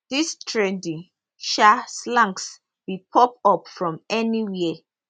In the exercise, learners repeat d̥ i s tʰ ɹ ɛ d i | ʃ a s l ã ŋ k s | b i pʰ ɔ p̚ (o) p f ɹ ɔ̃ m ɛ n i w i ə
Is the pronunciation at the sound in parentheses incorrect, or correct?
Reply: incorrect